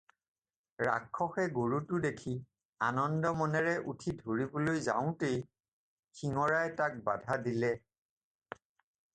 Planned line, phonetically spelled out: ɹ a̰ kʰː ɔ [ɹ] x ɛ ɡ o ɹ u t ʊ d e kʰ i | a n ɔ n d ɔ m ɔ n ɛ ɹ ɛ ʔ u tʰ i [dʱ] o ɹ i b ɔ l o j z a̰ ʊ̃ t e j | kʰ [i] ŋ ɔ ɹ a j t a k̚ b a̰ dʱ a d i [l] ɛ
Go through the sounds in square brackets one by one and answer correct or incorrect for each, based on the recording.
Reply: incorrect, correct, correct, correct

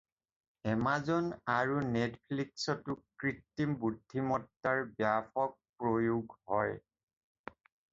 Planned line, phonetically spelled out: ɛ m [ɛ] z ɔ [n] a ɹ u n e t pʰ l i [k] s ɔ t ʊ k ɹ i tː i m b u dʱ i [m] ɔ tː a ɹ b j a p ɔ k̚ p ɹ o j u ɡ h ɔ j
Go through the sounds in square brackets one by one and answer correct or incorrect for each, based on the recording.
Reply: incorrect, correct, correct, correct

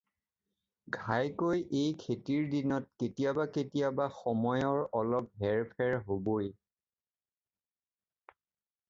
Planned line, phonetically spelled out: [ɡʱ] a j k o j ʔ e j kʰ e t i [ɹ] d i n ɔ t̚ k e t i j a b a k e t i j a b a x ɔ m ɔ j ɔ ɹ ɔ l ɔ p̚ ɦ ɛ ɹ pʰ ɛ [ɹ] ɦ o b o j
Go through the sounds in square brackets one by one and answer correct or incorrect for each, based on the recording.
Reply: correct, correct, correct

